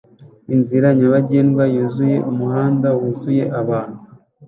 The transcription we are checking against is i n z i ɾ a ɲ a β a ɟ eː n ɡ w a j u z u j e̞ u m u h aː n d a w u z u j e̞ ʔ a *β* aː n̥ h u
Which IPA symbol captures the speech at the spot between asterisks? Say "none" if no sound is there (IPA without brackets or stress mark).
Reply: β